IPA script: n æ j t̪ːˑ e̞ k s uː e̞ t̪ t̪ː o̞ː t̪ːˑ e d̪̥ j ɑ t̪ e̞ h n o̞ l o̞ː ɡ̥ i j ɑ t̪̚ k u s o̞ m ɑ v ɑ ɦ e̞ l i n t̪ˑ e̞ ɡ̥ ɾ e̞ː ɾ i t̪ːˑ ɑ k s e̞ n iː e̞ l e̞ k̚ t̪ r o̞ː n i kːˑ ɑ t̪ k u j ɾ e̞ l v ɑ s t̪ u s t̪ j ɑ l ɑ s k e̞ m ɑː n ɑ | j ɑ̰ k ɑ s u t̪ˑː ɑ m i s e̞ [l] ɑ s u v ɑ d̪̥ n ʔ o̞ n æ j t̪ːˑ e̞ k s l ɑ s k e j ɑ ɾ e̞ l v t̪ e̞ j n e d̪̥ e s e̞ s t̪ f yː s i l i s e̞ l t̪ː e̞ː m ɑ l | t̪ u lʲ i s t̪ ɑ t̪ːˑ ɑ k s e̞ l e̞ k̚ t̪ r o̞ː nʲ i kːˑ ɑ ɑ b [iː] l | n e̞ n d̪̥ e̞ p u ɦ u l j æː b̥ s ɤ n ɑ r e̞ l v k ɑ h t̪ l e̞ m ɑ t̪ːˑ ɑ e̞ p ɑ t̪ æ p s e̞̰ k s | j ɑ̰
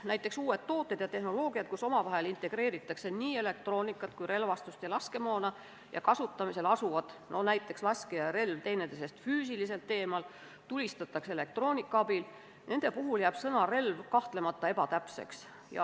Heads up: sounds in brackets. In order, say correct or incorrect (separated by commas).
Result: correct, incorrect